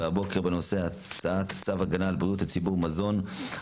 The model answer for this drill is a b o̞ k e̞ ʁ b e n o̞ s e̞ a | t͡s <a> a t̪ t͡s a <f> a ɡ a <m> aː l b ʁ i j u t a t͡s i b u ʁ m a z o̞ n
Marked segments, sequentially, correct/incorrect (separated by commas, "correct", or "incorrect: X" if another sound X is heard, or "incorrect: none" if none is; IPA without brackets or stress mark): correct, incorrect: v, incorrect: n